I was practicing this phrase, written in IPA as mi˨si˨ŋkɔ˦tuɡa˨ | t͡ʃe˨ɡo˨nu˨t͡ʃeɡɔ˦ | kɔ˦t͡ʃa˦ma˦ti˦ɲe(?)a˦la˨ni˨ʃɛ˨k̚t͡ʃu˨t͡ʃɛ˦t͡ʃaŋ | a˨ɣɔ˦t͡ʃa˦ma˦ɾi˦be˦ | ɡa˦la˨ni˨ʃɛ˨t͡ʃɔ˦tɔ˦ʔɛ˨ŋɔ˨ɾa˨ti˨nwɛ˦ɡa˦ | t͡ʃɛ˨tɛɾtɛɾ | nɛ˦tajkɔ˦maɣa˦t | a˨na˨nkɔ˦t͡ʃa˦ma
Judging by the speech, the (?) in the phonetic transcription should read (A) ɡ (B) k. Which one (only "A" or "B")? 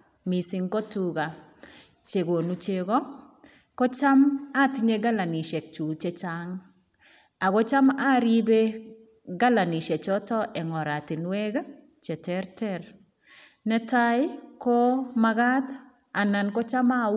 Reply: A